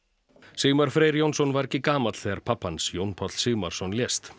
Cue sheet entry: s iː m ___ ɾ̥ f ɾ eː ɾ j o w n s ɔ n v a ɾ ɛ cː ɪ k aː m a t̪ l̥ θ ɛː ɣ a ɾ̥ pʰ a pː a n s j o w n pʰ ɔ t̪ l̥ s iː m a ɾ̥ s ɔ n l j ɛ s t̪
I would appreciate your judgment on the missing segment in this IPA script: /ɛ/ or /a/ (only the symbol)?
a